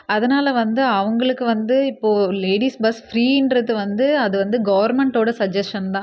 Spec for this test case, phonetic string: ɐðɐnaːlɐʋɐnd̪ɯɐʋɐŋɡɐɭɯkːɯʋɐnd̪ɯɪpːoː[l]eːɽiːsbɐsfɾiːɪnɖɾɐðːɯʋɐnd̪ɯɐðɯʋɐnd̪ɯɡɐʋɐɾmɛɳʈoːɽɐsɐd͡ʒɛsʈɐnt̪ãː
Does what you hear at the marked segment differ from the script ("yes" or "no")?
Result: no